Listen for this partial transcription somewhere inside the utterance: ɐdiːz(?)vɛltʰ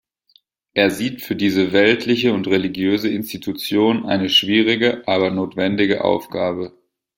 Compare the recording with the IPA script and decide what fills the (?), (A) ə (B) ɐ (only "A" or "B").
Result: A